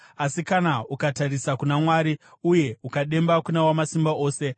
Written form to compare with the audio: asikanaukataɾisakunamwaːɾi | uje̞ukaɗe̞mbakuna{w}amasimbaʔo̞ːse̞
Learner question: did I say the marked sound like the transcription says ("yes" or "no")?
yes